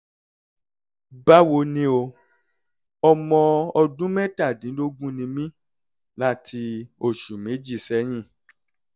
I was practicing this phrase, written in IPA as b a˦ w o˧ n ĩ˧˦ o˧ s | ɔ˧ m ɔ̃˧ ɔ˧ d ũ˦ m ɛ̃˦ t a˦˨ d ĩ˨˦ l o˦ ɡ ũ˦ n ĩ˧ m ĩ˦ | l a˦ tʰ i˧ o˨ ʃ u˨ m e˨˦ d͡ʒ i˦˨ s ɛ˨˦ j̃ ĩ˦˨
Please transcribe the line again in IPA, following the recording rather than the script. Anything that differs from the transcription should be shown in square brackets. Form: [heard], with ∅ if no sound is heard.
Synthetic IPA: b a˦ w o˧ n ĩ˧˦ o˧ [∅] | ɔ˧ m ɔ̃˧ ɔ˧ d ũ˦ m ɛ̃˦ t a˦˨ d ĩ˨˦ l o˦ ɡ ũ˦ n ĩ˧ m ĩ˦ | l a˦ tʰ i˧ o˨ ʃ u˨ m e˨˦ d͡ʒ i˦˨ s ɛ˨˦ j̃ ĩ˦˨